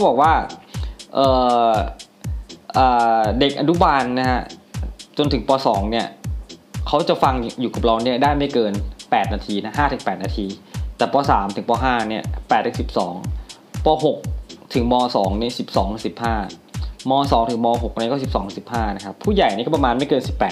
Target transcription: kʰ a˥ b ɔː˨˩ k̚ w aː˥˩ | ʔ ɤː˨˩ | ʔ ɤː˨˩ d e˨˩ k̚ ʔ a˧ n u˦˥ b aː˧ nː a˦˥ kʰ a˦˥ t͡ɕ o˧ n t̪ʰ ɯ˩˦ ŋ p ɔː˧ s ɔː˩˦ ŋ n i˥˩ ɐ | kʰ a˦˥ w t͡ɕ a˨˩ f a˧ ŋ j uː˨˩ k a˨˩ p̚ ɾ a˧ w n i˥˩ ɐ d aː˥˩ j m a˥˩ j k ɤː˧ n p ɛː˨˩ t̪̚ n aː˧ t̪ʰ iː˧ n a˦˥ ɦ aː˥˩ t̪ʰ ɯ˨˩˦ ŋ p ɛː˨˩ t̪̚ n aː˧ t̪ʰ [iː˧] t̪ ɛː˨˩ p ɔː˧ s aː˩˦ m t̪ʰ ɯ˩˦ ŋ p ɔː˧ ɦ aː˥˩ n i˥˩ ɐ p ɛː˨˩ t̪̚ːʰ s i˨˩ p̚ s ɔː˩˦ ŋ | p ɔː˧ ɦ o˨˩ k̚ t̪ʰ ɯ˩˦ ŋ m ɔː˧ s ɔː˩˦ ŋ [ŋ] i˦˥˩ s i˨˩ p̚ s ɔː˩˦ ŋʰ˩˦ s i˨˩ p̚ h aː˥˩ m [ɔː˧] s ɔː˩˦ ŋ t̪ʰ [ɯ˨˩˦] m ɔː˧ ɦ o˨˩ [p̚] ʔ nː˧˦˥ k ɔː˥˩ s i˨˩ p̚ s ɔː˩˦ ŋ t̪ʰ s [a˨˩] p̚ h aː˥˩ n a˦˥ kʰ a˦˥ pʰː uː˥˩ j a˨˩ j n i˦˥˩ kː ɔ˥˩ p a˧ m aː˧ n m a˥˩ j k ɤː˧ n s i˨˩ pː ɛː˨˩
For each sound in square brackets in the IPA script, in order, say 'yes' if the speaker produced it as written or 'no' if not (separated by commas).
yes, no, yes, yes, no, no